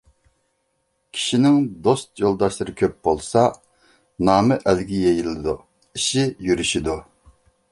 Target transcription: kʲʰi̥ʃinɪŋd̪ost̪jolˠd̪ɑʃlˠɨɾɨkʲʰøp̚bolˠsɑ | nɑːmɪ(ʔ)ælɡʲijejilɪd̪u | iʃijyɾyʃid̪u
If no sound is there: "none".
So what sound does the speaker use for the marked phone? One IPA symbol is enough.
ʔ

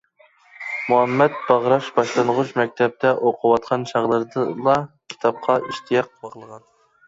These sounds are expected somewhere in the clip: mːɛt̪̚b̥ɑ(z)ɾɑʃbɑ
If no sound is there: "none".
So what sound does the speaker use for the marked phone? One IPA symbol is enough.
ʁ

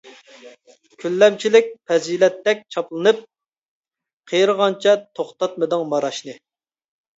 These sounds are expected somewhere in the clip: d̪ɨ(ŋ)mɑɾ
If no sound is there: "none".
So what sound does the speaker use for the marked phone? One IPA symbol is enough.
ŋ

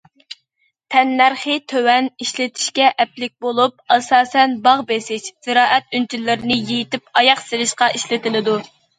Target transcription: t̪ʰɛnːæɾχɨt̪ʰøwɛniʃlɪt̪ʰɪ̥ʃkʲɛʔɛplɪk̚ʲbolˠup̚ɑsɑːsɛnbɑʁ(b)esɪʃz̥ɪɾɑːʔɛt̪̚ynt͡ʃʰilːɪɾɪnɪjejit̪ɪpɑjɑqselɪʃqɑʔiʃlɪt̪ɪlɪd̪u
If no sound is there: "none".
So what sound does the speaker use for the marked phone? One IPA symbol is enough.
b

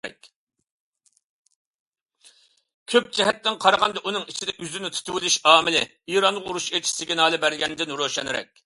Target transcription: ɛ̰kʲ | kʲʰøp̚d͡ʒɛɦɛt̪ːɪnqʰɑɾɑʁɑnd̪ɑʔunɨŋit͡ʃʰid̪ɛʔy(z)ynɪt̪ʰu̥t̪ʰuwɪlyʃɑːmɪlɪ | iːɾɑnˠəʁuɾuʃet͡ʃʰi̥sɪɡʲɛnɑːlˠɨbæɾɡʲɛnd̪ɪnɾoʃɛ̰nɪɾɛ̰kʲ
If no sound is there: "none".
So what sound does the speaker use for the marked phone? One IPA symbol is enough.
z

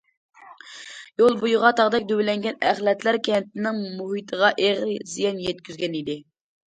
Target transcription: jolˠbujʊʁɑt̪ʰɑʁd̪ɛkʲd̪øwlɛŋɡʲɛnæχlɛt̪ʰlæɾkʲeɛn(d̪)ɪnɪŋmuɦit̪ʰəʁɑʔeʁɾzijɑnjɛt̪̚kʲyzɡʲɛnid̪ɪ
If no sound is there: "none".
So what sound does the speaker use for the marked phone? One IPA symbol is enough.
t̪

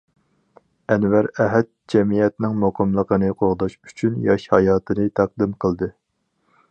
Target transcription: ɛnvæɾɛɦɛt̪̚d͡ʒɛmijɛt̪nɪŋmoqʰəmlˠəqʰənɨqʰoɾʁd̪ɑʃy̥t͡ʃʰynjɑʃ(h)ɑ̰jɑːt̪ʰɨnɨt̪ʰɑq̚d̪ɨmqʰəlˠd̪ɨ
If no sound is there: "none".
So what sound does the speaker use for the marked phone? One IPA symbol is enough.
h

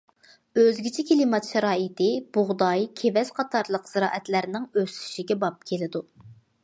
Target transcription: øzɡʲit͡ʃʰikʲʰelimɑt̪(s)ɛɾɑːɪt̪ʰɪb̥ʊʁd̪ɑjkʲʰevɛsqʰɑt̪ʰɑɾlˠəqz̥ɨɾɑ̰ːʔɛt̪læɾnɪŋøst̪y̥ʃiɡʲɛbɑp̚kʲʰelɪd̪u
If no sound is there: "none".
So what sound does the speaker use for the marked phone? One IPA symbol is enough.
ʃ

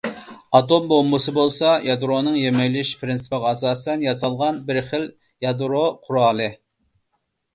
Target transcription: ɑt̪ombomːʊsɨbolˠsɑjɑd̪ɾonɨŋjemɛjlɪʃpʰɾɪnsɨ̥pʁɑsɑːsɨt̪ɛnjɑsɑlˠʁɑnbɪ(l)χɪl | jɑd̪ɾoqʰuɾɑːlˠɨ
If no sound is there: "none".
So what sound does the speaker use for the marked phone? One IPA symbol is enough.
ɾ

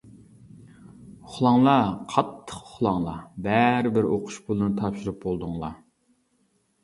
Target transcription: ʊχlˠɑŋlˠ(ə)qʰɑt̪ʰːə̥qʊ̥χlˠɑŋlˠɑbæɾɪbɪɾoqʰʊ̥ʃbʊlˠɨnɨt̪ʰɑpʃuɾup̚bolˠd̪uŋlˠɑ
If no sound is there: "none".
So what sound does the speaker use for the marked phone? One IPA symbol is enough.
ɑ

